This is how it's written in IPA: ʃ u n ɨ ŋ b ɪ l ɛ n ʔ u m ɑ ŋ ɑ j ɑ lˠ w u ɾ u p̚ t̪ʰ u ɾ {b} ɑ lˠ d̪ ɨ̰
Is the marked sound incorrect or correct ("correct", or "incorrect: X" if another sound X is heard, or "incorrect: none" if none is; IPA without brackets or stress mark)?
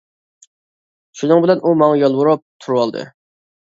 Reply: incorrect: w